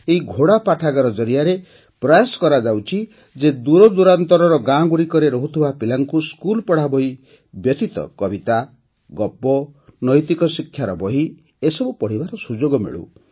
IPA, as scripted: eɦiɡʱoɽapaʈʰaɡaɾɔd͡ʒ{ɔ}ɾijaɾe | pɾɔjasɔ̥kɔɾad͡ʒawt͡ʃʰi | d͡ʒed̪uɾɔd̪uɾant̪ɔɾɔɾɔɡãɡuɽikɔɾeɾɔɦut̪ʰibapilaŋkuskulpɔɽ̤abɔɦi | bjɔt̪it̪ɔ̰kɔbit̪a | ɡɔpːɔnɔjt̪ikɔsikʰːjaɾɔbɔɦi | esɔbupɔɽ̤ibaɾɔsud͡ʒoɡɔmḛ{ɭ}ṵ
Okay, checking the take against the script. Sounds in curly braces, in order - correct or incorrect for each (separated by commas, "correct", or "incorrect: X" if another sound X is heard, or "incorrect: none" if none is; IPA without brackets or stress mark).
correct, correct